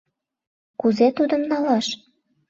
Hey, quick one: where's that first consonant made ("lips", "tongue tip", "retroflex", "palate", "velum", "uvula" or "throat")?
velum